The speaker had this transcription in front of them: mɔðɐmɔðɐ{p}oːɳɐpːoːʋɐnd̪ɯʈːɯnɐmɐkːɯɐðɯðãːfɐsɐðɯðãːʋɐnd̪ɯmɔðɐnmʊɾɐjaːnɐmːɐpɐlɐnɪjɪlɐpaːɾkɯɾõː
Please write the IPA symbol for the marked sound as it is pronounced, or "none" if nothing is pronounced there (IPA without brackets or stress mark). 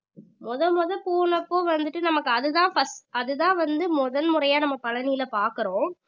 p